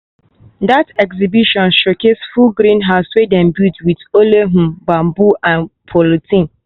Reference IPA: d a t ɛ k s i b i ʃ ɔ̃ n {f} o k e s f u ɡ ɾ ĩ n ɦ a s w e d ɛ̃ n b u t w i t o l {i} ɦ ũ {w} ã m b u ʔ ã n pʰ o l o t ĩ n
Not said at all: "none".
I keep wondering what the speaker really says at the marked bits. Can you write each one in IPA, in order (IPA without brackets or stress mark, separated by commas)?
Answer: ʃ, e, b